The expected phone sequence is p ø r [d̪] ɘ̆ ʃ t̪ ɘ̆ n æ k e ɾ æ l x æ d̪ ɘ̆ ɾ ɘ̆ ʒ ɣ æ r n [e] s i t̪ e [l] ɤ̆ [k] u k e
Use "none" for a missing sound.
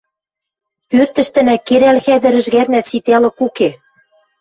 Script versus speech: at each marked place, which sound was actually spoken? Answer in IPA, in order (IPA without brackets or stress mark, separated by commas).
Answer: t̪, æ, l, k